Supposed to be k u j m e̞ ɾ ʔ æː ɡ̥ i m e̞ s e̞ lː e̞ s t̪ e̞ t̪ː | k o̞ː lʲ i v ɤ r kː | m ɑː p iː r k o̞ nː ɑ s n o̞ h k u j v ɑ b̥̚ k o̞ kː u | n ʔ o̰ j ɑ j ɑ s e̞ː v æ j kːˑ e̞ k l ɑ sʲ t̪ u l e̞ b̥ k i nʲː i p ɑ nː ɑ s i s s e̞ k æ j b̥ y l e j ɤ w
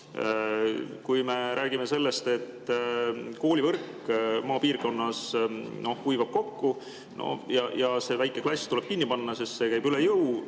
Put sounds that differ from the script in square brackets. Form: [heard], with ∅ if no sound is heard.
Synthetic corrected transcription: k u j m e̞ ɾ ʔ æː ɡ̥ i m e̞ s e̞ lː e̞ s t̪ e̞ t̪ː | k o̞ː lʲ i v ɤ r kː | m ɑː p iː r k o̞ nː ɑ s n o̞ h k u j v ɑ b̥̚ k o̞ kː u | n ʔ o̰ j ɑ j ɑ s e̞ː v æ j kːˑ e̞ k l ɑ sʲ t̪ u l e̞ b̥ k i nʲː i p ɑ nː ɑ s i s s e̞ k æ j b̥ y l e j ɤ w